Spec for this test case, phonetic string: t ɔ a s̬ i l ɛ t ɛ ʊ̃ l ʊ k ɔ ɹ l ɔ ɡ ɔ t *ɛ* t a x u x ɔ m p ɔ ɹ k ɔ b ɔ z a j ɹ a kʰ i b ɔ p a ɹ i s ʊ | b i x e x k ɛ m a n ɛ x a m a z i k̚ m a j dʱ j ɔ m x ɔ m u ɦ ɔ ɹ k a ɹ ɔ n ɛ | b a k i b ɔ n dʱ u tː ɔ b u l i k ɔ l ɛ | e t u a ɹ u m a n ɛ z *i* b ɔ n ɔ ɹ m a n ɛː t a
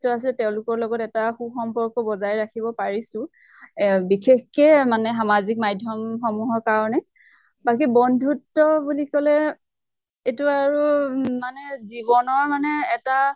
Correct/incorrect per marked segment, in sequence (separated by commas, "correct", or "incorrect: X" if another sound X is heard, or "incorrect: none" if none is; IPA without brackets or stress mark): correct, correct